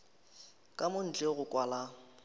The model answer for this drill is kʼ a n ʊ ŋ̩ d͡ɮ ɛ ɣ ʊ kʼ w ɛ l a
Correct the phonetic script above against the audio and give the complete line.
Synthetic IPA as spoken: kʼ a m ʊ n̩ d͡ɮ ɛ ɣ ʊ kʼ w a l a

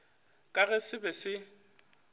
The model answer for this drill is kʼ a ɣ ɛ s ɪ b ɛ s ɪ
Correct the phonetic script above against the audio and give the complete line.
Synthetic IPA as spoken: kʼ a ɣ ɛ s ɪ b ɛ s ɪ

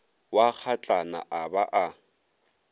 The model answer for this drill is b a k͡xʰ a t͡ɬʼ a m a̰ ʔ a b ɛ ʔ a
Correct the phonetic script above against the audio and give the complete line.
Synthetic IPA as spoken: w a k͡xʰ a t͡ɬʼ a n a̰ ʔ a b a ʔ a

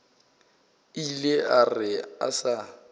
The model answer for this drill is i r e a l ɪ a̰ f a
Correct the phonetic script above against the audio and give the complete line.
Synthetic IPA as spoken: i l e a r ɪ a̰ s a

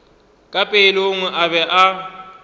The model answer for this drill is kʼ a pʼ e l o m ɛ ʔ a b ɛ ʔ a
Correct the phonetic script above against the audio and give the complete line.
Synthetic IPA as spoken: kʼ a pʼ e l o ŋ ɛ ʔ a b ɛ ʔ a

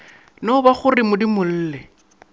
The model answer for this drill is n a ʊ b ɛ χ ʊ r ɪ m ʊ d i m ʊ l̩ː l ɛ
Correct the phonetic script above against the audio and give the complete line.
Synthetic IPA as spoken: n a ʊ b a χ ʊ r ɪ m ʊ d i m ʊ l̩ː l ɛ

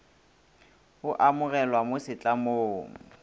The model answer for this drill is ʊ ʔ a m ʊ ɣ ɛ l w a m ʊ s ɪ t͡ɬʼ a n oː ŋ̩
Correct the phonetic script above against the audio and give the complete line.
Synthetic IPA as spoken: ʊ ʔ a m ʊ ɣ ɛ l w a m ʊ s ɪ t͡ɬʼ a m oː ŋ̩

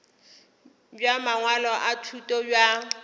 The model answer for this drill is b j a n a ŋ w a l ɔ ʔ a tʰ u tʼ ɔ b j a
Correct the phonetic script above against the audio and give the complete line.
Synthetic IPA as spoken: b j a m a ŋ w a l ɔ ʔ a tʰ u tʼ ɔ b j a

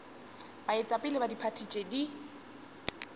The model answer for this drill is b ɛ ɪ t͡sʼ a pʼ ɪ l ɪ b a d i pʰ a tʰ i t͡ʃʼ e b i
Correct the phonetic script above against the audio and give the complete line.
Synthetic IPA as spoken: b a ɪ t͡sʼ a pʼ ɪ l ɪ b a d i pʰ a tʰ i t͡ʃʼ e d i

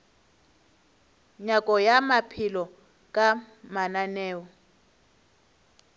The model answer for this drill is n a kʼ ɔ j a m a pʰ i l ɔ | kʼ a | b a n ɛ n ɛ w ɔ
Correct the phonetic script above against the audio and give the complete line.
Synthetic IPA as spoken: ɲ a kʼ ɔ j a m a pʰ i l ɔ | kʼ a | m a n a n ɛː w ɔ

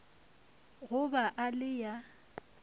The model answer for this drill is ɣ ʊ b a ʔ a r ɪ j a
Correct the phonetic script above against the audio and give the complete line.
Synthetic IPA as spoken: ɣ ʊ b a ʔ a l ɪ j a

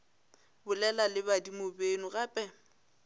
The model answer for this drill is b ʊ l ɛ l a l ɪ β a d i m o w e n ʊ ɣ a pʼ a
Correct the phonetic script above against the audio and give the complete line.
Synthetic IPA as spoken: b ʊ l ɛ l a l ɪ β a d i m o b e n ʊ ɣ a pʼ ɛ

